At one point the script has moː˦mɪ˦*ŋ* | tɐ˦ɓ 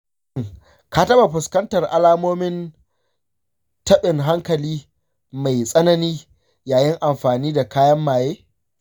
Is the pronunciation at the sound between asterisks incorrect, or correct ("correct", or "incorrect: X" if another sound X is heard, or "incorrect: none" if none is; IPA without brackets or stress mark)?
incorrect: n